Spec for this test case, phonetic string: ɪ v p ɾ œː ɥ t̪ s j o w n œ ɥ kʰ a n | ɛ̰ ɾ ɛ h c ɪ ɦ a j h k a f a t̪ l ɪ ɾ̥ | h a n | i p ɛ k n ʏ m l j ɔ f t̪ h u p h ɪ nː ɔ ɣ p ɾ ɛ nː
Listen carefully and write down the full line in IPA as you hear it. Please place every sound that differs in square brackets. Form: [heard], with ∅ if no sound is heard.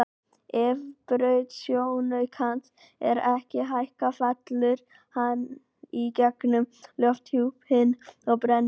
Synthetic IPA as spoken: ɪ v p ɾ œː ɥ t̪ s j o w n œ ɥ kʰ a n | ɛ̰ ɾ ɛ h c ɪ ɦ a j h k a f a t̪ l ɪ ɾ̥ | h a n | i [c] ɛ k n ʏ m l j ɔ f t̪ h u p h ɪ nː ɔ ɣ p ɾ ɛ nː